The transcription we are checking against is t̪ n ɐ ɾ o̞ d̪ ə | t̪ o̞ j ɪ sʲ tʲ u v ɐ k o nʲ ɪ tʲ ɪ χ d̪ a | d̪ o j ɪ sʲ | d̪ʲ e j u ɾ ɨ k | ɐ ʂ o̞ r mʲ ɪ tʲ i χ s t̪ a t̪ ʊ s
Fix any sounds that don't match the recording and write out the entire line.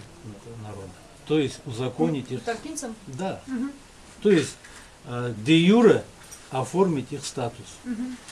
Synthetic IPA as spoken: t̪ n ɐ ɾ o̞ d̪ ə | t̪ o̞ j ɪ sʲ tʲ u z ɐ k o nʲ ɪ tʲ i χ d̪ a | t̪ o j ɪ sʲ | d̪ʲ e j u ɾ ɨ | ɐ f o̞ r mʲ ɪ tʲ i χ s t̪ a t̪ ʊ s